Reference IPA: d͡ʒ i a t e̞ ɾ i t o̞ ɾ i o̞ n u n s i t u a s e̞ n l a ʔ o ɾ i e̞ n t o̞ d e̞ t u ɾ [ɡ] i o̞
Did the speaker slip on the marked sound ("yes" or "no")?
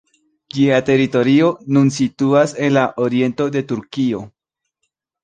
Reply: yes